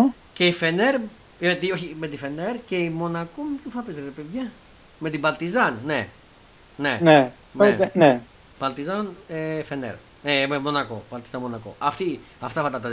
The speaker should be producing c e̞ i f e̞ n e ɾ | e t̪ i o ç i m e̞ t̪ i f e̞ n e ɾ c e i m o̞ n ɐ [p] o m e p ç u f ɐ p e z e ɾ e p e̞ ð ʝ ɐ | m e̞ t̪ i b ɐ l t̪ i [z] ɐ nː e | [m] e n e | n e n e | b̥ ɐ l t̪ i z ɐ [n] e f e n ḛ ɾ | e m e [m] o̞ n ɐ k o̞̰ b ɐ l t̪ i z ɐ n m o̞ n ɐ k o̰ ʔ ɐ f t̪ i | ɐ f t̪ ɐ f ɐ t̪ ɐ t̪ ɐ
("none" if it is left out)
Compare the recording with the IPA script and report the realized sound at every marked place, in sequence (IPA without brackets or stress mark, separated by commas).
k, z, n, n, m